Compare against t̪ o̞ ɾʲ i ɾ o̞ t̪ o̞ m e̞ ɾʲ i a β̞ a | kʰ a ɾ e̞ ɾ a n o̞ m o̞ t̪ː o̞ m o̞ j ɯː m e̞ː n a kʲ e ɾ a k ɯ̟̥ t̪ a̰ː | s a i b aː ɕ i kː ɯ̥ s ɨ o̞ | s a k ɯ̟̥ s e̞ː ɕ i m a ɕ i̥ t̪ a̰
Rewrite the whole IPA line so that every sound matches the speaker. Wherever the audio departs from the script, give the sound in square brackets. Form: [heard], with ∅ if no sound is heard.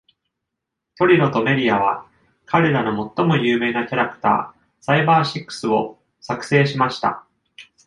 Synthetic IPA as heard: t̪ o̞ ɾʲ i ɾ o̞ t̪ o̞ m e̞ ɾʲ i a β̞ a | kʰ a ɾ e̞ ɾ a n o̞ m o̞ t̪ː o̞ m o̞ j ɯː m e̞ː n a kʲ [a] ɾ a k ɯ̟̥ t̪ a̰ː | s a i b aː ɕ i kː ɯ̥ s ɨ o̞ | s a k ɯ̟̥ s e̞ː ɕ i m a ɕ i̥ t̪ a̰